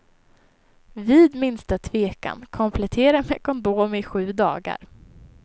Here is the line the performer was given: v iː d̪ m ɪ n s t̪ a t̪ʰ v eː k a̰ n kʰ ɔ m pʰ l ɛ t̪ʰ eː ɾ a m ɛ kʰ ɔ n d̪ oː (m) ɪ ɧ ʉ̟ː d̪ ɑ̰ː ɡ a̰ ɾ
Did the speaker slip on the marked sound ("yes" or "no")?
no